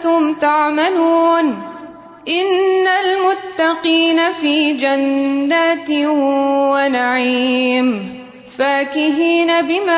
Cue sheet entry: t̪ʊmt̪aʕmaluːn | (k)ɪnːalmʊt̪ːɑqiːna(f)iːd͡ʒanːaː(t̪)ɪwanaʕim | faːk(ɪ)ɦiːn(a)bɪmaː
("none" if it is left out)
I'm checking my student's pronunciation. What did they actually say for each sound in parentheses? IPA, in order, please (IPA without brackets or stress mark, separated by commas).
ʔ, f, t̪, ɪ, a